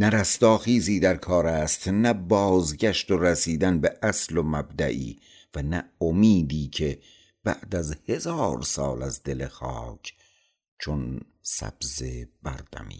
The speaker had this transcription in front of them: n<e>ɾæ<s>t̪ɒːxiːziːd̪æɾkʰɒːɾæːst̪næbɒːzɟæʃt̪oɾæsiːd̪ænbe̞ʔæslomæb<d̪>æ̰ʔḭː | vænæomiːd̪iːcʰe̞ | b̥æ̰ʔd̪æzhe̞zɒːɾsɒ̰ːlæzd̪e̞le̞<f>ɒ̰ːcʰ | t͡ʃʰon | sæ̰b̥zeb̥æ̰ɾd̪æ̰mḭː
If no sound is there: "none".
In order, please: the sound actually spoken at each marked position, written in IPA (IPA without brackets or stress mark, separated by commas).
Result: æ, s, d̪, x